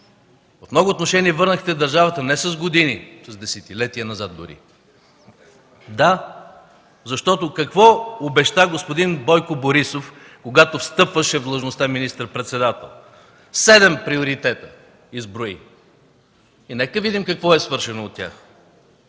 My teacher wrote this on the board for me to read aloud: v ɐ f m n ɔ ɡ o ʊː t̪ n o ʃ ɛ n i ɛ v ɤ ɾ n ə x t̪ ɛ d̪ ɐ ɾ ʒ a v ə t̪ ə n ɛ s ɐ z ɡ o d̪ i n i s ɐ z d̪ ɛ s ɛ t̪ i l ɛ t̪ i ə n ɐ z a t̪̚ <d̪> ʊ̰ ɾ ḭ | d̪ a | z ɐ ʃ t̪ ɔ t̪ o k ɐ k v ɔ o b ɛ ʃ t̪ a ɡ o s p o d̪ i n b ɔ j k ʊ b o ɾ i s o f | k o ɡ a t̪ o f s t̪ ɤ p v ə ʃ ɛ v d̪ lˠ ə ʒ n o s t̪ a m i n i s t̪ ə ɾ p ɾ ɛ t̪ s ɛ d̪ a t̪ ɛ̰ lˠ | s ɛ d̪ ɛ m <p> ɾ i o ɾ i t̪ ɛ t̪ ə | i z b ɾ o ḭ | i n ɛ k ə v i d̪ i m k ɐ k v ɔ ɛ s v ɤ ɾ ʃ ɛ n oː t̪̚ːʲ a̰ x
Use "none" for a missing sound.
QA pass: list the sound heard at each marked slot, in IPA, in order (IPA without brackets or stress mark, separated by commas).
d̪, p